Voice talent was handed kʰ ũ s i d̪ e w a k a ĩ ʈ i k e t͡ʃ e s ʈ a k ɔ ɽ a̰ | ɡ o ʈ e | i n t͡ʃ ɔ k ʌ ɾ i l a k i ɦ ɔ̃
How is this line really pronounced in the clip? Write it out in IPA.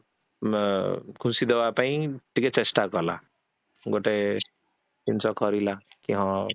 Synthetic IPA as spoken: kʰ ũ s i d̪ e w a p a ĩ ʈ i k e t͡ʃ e s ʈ a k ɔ l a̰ | ɡ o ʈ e | i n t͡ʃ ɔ k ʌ ɾ i l a k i ɦ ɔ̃